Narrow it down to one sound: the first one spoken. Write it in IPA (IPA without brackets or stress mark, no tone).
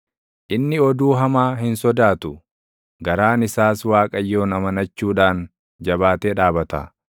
ʔ